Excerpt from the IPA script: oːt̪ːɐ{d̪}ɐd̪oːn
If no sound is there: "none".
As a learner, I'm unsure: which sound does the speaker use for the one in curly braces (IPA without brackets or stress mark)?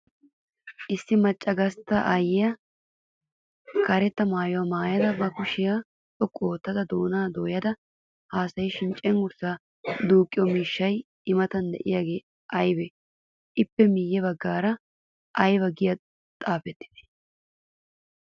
d̪